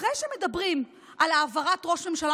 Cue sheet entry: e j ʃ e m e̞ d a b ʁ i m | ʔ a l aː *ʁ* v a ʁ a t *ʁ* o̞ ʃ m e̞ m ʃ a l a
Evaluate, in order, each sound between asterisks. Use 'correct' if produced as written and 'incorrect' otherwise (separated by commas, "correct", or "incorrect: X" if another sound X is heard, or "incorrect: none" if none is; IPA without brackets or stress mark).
incorrect: none, correct